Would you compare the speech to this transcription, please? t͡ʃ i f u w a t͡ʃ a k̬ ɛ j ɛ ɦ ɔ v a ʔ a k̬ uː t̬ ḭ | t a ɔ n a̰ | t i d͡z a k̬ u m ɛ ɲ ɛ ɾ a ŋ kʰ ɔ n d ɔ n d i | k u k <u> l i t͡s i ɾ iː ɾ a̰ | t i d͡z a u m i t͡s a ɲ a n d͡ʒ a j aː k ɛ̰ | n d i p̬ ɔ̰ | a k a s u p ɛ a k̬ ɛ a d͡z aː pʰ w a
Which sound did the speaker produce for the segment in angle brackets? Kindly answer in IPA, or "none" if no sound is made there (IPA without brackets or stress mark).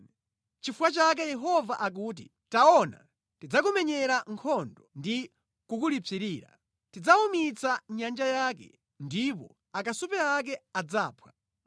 u